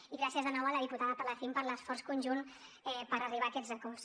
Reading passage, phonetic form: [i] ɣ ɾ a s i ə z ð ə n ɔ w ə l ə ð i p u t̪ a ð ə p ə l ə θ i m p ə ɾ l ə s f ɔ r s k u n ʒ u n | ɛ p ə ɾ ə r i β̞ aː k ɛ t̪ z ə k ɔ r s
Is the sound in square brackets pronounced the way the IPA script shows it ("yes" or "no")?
yes